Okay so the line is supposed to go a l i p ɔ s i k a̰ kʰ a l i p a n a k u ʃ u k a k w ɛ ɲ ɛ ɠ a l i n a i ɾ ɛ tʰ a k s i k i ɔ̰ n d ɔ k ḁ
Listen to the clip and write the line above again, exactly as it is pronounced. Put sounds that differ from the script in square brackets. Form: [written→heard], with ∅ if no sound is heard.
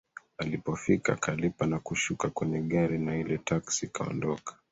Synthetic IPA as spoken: a l i p ɔ [s→f] i k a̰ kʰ a l i p a n a k u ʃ u k a k w ɛ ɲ ɛ ɠ a [l→ɾ] i n a i [ɾ→l] ɛ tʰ a k s i k [i→a] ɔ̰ n d ɔ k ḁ